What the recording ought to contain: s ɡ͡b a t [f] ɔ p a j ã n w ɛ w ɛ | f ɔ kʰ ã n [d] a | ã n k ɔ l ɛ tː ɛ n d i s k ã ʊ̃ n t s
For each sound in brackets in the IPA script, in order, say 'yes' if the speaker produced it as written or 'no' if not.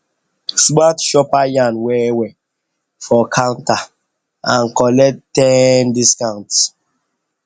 no, no

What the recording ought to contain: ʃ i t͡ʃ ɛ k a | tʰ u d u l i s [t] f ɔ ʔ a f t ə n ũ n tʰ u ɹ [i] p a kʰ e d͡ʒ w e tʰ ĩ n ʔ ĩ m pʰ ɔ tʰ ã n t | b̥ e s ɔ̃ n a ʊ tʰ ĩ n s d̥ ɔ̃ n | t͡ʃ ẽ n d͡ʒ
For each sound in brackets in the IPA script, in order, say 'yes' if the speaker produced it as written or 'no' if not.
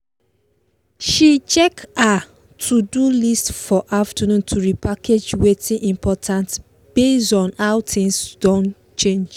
yes, yes

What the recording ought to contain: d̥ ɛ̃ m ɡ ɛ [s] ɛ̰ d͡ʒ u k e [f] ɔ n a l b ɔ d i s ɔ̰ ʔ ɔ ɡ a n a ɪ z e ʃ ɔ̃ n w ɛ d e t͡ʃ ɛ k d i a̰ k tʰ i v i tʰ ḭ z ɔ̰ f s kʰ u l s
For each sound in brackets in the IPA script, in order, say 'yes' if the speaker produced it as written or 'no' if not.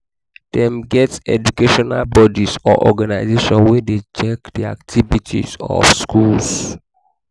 no, no

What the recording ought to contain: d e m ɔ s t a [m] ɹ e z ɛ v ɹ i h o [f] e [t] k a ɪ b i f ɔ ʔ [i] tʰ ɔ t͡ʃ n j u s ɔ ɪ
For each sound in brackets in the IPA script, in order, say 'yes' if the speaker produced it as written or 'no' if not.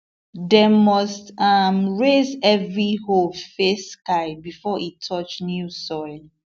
yes, yes, no, yes

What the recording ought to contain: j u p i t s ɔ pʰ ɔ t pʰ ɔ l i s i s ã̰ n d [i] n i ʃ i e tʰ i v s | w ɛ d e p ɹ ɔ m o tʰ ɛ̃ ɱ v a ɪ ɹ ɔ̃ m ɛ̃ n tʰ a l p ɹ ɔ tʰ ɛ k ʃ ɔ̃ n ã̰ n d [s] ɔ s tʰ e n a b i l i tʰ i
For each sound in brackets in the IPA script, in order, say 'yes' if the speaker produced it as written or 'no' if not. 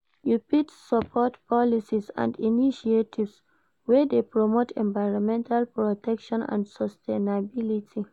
yes, yes

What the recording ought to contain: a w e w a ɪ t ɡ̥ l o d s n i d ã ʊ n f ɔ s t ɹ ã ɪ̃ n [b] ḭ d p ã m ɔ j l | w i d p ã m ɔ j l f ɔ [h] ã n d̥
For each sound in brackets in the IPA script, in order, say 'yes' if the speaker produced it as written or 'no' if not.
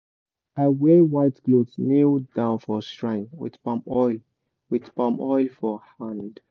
no, yes

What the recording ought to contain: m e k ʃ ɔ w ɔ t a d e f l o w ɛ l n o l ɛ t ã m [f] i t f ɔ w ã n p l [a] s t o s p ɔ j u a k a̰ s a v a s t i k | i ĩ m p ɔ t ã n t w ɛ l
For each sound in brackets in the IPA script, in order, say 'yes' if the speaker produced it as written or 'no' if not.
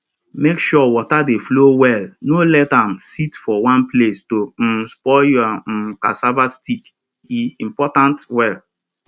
no, no

